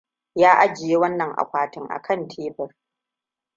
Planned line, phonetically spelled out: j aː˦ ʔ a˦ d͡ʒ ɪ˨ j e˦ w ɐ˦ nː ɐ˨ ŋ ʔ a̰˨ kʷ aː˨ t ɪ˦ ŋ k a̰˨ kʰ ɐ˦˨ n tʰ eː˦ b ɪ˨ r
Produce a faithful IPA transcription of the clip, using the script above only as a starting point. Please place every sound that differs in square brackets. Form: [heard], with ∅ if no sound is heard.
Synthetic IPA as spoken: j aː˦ ʔ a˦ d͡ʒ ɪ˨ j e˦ w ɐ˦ nː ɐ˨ ŋ ʔ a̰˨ kʷ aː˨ t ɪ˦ ŋ [ʔ] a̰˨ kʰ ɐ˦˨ n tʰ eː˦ b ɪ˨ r